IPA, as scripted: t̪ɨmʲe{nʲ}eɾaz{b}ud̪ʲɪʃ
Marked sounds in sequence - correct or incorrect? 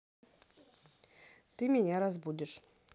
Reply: correct, correct

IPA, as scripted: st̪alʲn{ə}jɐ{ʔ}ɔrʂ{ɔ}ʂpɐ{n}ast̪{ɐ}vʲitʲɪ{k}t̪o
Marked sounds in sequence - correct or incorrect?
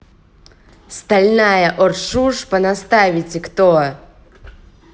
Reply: incorrect: a, correct, incorrect: u, correct, incorrect: a, correct

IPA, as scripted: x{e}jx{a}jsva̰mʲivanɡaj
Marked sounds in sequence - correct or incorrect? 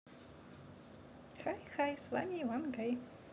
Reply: incorrect: a, correct

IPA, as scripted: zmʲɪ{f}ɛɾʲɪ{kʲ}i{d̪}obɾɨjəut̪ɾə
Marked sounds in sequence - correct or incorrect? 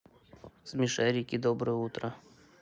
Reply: incorrect: ʂ, correct, correct

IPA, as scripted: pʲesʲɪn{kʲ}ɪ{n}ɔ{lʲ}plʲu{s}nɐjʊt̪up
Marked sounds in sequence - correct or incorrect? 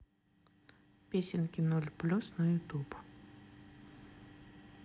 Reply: correct, correct, correct, correct

